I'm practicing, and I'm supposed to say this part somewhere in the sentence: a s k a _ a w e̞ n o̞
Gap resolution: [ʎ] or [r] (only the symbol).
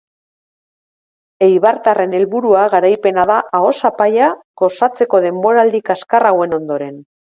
r